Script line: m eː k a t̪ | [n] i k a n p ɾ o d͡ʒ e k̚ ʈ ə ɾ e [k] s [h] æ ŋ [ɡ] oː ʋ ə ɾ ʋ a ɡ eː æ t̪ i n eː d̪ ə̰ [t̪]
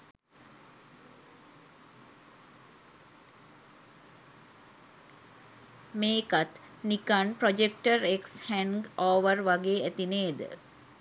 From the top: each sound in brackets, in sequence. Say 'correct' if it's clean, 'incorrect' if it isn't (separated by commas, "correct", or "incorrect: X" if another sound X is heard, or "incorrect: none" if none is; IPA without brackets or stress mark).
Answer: correct, correct, correct, correct, incorrect: none